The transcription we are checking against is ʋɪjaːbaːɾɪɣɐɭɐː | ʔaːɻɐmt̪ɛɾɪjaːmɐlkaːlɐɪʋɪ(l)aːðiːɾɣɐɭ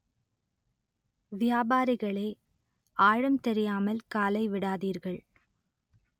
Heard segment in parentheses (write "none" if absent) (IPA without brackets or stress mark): ɽ